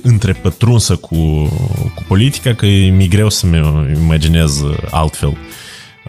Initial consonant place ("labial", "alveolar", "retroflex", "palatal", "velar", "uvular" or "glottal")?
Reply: alveolar